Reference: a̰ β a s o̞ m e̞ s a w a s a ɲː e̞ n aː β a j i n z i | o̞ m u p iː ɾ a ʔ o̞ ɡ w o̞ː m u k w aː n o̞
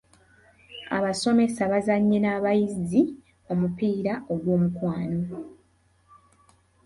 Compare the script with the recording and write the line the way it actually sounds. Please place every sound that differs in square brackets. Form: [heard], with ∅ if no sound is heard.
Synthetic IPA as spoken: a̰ β a s o̞ m e̞ s a [β] a [z] a ɲː e̞ n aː β a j i [∅] z i | o̞ m u p iː ɾ a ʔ o̞ ɡ w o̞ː m u k w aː n o̞